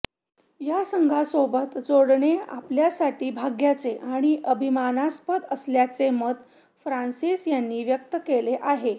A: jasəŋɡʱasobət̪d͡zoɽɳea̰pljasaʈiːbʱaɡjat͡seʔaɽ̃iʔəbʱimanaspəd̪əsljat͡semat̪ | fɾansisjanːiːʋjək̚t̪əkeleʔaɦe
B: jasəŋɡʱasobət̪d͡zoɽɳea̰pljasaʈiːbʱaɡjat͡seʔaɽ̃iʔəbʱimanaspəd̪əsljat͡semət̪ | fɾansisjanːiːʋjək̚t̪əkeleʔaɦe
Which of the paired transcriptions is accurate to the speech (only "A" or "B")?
B